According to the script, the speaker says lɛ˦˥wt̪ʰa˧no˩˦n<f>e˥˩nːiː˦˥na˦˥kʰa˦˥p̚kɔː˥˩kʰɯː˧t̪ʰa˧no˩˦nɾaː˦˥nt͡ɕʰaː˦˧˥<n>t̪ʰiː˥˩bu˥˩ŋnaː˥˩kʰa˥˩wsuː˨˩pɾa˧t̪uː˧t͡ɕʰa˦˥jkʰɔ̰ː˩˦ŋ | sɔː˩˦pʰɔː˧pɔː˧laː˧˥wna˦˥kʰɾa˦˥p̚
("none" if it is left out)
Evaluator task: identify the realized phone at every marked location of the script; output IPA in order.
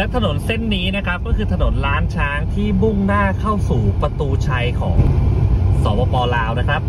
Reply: s, ŋ

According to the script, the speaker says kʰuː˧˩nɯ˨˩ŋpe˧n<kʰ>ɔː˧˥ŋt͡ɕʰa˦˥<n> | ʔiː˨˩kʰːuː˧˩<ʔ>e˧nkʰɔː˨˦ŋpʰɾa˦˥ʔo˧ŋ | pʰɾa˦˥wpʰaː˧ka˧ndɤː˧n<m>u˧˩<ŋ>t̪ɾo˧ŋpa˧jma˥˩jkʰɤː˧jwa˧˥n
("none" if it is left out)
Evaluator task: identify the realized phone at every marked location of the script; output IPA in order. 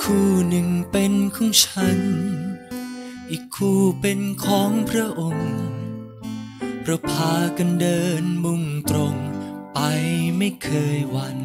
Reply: kʰ, n, p, m, ŋ

